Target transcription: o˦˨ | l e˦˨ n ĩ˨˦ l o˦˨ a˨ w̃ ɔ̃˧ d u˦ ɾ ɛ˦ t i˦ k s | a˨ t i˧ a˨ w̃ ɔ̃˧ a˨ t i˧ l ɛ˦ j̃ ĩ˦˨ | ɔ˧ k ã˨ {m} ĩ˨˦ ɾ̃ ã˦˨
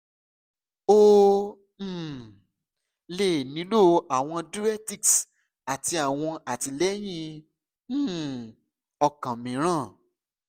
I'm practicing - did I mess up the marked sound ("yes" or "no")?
no